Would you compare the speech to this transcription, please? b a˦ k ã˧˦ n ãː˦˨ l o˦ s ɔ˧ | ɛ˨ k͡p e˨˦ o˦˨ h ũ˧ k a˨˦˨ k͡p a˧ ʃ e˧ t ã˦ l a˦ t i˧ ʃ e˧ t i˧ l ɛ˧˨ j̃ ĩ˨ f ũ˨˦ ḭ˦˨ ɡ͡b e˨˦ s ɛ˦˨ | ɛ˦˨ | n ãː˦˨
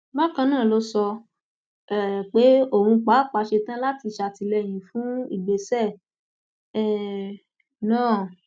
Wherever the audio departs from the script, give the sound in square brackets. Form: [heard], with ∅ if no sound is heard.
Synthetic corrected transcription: b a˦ k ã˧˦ n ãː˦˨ l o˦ s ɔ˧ | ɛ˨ k͡p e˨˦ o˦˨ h ũ˧ [k͡p] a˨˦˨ k͡p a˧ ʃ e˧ t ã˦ l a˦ t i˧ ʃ [a˧] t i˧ l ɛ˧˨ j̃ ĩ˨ f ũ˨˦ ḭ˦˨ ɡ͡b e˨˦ s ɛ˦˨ | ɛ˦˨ | n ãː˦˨